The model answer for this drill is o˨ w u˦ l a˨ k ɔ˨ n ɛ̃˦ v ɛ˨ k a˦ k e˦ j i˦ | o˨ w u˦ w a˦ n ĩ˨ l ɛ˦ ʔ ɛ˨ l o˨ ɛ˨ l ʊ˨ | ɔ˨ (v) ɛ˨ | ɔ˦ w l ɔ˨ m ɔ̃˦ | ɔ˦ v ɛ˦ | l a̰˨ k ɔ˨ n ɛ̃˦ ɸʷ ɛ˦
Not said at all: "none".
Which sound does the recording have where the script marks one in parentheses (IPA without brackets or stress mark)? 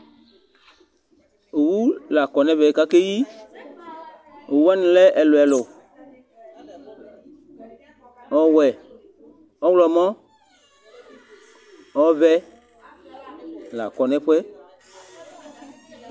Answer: w